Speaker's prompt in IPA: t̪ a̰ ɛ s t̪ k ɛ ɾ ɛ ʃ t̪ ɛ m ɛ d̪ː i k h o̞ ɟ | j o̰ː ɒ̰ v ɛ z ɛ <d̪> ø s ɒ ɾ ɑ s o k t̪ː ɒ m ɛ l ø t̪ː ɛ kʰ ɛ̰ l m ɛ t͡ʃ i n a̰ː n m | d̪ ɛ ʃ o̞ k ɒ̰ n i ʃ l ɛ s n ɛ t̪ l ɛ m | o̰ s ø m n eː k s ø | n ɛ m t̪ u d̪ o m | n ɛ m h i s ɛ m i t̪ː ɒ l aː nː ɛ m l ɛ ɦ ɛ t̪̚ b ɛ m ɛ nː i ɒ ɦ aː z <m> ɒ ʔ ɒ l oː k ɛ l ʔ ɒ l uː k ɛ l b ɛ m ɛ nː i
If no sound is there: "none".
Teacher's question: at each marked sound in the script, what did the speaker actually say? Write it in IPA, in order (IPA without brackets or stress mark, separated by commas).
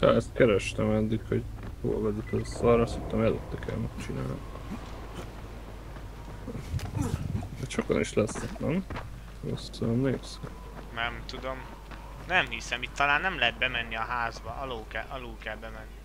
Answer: t̪, b